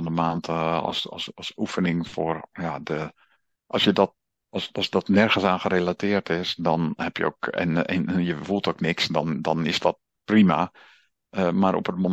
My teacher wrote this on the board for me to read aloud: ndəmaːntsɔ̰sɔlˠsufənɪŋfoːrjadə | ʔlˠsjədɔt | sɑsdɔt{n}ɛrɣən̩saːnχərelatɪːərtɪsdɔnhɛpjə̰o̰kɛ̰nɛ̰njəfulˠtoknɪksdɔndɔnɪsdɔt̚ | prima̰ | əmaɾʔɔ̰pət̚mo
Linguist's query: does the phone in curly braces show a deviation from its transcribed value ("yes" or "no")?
no